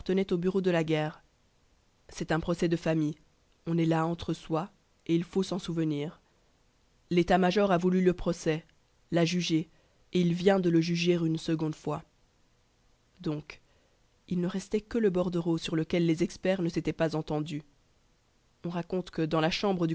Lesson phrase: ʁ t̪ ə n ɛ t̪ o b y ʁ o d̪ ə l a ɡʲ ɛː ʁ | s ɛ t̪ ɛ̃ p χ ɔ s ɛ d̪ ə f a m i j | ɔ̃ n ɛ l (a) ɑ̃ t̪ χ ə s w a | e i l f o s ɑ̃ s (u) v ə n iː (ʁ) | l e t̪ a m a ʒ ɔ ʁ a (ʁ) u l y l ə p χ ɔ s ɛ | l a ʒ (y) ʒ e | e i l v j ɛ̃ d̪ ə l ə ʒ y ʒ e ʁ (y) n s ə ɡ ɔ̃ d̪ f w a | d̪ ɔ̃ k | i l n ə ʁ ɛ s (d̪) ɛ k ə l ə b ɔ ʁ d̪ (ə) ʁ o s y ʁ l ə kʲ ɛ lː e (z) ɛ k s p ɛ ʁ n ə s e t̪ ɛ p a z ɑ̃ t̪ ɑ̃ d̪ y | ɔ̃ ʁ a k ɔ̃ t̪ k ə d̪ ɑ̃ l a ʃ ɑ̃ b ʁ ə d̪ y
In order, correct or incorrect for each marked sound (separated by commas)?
correct, correct, correct, incorrect, correct, correct, incorrect, correct, correct